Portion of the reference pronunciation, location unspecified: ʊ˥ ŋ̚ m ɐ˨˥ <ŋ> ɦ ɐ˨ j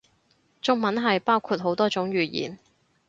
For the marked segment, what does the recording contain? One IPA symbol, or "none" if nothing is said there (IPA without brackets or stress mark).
n